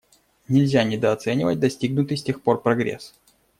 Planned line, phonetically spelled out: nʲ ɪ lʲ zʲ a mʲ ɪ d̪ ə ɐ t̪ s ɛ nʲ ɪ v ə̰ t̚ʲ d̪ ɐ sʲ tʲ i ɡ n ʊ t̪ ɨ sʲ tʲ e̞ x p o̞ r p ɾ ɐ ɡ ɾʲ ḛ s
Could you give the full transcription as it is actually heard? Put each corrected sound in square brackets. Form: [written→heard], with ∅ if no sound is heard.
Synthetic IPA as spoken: nʲ ɪ lʲ zʲ a [mʲ→nʲ] ɪ d̪ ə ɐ t̪ s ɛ nʲ ɪ v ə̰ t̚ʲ d̪ ɐ sʲ tʲ i ɡ n ʊ t̪ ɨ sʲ tʲ e̞ x p o̞ r p ɾ ɐ ɡ ɾʲ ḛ s